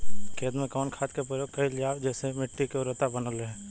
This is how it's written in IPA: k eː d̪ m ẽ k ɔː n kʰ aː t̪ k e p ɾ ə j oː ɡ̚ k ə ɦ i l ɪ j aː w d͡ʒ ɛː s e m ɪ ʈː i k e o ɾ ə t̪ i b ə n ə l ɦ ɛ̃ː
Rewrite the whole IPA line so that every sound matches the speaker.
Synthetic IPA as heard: k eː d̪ m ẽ k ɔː n kʰ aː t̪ k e p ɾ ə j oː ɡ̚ k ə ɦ i l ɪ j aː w d͡ʒ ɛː s e m ɪ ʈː i k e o ɾ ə t̪ a b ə n ə l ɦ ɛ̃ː